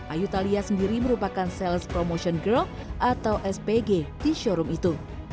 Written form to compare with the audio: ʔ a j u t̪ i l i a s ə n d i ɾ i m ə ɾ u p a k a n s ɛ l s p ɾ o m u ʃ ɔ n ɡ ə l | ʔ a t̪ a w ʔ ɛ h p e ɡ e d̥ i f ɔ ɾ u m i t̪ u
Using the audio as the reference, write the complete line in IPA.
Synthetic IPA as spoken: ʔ a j u t̪ a l i a s ə n d i ɾ i m ə ɾ u p a k a n s ɛ l s p ɾ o m o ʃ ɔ n ɡ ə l | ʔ a t̪ a w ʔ ɛ s p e ɡ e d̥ i ʃ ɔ ɾ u m i t̪ u